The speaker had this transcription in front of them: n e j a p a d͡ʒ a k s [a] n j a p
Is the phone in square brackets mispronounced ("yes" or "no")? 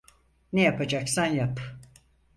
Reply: no